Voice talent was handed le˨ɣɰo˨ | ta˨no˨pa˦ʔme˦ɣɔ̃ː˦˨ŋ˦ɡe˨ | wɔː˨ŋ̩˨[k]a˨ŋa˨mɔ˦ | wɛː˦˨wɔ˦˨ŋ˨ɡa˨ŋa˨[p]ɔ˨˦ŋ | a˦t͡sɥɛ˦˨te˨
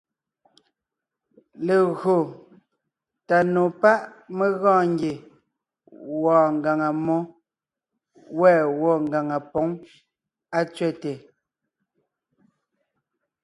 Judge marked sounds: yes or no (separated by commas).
no, yes